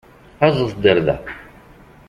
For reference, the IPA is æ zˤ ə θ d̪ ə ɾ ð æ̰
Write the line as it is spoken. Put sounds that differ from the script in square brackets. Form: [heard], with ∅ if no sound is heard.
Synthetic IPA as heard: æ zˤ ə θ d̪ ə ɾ ð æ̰